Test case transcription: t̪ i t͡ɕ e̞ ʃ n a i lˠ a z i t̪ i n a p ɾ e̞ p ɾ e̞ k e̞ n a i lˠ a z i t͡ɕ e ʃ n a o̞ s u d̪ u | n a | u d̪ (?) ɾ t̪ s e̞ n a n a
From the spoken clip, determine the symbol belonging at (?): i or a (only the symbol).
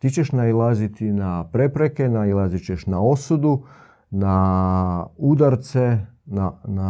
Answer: a